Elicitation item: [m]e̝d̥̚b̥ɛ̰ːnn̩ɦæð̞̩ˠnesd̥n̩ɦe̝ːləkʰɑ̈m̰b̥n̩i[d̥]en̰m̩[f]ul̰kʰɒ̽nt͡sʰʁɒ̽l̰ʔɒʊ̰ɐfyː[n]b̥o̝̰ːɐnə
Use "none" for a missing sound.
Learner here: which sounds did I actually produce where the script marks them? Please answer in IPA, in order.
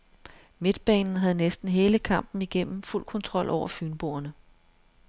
m, ɡ̥, f, n

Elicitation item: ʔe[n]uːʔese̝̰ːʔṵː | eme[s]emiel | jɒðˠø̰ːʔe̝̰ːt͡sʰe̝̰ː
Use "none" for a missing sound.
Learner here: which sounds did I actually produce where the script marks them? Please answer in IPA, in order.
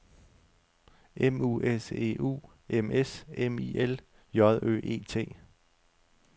m, s

